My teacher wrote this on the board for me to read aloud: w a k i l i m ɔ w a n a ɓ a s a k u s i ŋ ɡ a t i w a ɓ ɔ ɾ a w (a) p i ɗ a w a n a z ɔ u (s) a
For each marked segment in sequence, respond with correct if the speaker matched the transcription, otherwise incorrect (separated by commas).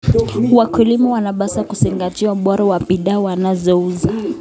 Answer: correct, incorrect